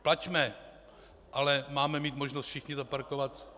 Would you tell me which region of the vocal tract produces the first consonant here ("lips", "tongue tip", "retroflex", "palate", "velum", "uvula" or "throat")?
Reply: lips